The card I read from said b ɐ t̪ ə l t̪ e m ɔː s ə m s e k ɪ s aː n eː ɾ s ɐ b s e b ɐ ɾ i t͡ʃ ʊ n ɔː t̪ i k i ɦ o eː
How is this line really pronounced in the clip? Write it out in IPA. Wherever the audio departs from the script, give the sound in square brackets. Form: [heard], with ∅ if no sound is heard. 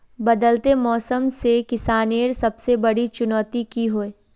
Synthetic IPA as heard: b ɐ [d̪] ə l t̪ e m ɔː s ə m s e k ɪ s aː n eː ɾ s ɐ b s e b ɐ [ɽ] i t͡ʃ ʊ n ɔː t̪ i k i ɦ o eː